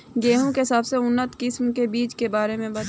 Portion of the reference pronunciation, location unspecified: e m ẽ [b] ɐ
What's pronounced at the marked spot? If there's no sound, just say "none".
b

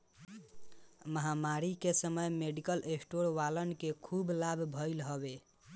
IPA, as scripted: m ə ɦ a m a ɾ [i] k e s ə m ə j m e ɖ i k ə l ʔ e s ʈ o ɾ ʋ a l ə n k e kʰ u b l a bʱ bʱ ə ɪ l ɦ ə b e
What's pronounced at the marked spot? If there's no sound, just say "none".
i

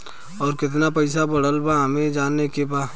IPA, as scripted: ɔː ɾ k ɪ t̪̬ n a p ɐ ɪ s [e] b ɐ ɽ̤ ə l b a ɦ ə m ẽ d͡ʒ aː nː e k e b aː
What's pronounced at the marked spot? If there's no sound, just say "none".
a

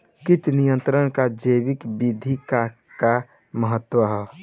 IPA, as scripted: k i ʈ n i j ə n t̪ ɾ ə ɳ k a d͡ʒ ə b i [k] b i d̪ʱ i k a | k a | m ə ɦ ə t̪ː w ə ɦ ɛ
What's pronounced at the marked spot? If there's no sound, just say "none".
k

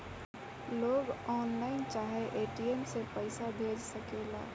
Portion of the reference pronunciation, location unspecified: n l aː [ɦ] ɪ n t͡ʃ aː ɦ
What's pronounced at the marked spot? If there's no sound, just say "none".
none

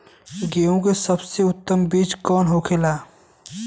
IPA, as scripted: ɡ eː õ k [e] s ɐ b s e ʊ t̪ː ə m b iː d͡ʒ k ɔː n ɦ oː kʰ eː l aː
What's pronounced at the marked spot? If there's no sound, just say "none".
e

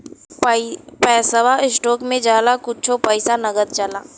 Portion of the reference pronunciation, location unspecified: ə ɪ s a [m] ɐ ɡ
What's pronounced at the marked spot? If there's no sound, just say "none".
n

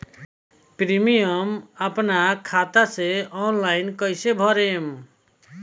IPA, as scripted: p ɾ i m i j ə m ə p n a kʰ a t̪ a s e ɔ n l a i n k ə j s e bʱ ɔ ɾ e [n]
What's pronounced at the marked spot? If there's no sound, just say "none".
m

